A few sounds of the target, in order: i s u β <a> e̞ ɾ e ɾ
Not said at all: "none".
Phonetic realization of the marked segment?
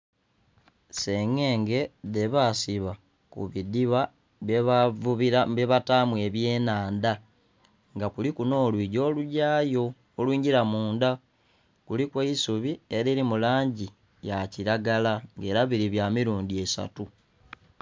i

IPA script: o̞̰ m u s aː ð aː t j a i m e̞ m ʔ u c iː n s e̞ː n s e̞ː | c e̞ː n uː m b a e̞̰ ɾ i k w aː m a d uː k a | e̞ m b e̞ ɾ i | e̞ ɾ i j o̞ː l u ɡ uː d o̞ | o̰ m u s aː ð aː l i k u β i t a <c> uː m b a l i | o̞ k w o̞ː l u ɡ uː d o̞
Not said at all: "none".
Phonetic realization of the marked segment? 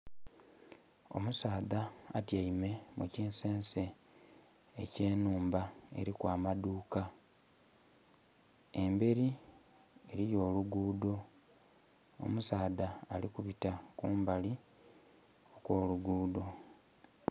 k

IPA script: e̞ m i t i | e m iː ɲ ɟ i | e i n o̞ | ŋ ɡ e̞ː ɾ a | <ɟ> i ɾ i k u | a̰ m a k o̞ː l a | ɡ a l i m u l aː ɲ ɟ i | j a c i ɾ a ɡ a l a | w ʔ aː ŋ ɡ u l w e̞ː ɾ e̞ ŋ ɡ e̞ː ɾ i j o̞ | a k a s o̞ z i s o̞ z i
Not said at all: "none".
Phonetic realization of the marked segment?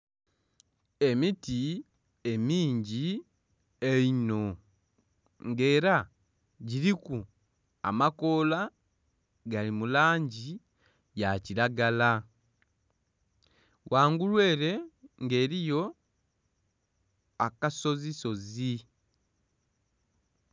ɟ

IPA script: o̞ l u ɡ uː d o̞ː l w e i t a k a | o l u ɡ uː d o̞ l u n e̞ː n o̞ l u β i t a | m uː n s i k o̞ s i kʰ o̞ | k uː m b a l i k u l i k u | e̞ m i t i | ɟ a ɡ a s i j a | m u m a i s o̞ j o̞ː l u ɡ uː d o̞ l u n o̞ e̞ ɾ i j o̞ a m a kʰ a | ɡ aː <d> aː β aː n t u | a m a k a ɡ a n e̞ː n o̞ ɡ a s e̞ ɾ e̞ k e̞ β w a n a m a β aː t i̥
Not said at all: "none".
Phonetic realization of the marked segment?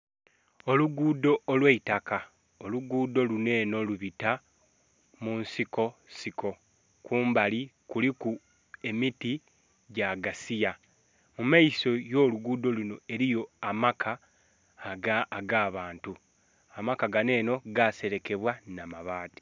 ɡ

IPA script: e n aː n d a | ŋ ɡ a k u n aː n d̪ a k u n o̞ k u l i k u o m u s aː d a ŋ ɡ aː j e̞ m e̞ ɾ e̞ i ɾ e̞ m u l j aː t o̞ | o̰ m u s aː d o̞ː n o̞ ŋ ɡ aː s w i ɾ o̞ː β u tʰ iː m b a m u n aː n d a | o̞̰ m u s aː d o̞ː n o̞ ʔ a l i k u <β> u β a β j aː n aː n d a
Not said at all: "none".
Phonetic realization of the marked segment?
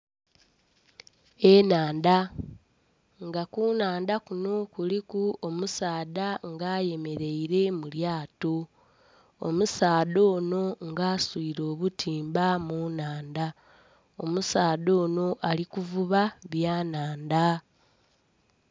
v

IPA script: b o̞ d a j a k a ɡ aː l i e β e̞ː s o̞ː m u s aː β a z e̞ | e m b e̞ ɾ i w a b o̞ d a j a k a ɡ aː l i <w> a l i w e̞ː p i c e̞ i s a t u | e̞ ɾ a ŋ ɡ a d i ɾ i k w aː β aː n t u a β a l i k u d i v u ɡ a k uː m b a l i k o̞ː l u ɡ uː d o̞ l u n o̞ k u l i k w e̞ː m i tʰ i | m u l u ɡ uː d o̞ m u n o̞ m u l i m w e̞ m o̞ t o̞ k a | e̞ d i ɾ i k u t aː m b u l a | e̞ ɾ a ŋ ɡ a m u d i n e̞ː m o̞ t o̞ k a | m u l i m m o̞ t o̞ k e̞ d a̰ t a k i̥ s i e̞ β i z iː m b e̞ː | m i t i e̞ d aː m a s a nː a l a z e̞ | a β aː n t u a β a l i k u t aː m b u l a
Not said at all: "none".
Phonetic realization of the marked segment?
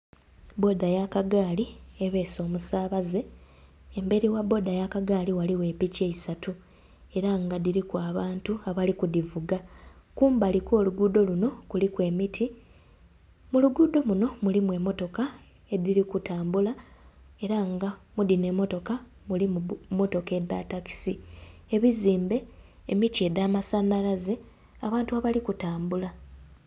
w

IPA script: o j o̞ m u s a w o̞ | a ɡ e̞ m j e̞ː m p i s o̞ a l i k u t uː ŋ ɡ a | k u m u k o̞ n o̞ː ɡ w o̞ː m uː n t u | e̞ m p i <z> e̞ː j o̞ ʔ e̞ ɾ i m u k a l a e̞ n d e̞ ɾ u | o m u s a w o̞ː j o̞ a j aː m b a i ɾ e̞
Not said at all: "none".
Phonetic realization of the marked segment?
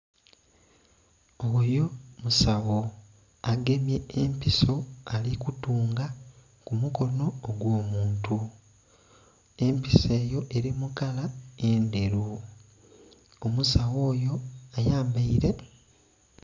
s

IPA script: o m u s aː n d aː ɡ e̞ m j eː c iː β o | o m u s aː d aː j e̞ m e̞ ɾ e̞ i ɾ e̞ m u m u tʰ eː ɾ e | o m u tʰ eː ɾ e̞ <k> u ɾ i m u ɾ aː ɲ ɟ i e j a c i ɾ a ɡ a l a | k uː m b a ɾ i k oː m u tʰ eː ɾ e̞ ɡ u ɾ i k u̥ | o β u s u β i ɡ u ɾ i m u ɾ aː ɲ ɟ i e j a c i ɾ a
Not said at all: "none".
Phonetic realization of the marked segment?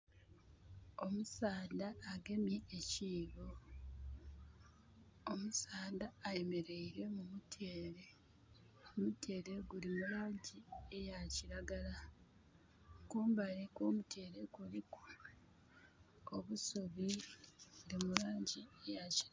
ɡ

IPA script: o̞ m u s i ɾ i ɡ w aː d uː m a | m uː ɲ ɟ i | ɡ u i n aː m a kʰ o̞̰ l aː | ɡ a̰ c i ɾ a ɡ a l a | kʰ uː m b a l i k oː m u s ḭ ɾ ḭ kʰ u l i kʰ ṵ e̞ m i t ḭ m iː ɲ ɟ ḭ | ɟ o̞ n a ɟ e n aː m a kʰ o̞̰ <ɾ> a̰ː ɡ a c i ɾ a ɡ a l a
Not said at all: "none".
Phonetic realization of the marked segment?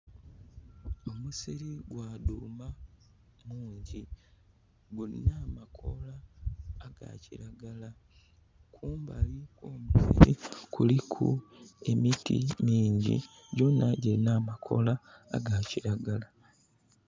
l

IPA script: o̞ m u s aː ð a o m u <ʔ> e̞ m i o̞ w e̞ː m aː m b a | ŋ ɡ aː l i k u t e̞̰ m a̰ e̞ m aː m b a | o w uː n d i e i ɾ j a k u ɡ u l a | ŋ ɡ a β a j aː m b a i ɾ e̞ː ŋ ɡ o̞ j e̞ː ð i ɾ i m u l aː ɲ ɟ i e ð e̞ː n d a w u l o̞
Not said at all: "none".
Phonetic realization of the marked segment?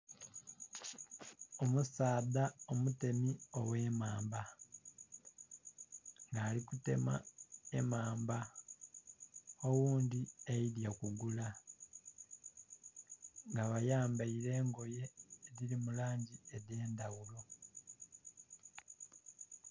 t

